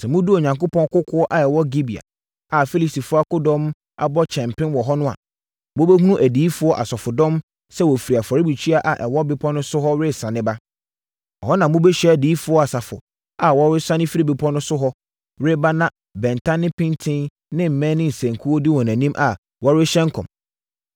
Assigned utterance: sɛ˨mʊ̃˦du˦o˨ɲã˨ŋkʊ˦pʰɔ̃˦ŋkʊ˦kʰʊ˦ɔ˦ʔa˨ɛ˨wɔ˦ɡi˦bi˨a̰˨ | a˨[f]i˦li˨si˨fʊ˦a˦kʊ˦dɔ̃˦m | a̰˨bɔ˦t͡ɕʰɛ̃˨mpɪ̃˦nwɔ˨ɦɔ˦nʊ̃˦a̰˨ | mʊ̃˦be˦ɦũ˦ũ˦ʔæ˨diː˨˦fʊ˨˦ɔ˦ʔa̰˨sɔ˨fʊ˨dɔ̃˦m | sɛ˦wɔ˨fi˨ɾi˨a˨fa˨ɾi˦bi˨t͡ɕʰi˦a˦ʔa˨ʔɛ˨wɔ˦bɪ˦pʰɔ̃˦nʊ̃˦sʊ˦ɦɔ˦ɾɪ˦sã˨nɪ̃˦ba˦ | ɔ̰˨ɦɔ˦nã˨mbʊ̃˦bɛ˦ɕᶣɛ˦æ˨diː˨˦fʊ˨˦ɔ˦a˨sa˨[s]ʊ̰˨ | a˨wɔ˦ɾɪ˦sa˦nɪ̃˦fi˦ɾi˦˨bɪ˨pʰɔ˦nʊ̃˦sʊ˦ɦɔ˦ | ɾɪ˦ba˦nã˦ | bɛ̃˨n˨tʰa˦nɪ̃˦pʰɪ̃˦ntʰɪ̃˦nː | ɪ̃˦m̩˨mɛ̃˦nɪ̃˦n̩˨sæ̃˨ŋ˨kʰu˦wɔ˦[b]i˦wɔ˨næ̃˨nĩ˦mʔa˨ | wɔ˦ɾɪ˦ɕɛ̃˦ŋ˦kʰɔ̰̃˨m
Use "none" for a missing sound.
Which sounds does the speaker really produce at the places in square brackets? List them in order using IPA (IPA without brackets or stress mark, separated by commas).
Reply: f, f, d